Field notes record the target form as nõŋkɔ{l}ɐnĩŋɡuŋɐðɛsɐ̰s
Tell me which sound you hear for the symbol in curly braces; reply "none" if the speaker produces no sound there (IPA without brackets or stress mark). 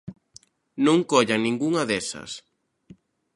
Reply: ʎ